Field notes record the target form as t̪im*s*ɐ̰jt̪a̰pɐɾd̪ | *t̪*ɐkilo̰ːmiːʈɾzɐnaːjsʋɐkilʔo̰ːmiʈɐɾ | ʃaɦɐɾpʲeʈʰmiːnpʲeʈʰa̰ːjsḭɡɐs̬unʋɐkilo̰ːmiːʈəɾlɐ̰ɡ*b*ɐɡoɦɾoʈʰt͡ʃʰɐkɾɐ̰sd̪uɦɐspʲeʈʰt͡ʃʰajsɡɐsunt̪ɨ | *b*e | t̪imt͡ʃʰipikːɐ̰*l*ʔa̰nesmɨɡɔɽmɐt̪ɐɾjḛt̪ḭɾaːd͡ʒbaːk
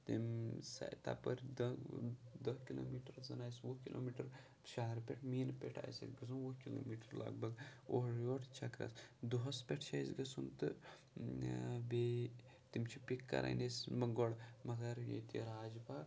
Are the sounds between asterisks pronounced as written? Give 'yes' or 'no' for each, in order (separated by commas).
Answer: yes, no, yes, yes, no